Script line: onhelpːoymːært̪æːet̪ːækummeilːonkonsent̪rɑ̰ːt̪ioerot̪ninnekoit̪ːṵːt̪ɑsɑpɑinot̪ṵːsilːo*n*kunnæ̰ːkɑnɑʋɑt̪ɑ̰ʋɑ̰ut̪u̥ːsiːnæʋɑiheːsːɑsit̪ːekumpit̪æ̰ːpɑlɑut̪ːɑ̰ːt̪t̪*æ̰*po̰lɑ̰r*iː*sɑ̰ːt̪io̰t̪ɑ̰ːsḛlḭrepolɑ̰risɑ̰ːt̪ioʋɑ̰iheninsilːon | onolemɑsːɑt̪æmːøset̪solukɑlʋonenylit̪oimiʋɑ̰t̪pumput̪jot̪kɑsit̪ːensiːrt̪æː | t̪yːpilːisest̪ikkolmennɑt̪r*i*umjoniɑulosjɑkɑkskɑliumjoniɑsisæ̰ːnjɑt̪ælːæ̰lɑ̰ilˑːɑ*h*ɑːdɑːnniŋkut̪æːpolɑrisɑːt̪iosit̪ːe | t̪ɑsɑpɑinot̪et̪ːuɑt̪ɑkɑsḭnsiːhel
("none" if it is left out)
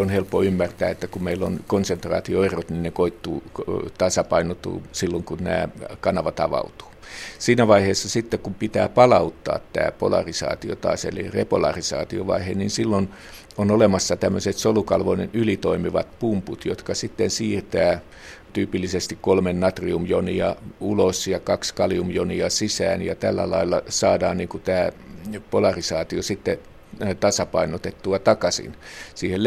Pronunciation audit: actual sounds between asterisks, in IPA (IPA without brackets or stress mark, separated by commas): ŋ, æ̰ː, i, i, s